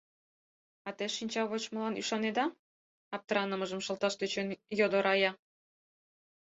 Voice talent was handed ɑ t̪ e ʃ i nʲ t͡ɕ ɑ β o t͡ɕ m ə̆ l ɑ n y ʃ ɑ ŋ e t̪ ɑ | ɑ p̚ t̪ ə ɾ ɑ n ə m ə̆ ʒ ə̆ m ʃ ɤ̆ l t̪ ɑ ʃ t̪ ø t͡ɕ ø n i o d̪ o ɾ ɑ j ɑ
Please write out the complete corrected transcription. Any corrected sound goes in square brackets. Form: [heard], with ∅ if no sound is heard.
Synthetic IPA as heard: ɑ t̪ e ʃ i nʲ t͡ɕ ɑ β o t͡ɕ m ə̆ l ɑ n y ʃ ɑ [n] e [d̪] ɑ | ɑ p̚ t̪ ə ɾ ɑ n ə m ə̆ ʒ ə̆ m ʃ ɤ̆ l t̪ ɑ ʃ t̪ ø t͡ɕ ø n [j] o d̪ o ɾ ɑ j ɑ